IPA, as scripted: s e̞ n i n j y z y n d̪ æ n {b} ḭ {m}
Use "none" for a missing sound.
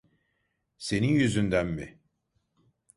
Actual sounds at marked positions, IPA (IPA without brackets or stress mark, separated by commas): m, none